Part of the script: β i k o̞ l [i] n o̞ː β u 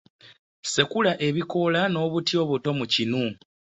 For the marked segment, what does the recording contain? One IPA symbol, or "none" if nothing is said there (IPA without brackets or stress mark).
a